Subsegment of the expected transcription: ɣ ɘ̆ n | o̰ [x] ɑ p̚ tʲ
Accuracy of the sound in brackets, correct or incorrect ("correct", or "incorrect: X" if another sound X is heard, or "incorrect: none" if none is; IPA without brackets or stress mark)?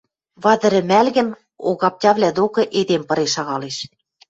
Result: incorrect: ɣ